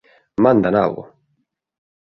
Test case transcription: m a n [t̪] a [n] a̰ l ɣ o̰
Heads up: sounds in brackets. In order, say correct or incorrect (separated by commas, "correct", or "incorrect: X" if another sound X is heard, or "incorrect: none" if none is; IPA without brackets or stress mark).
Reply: incorrect: d̪, correct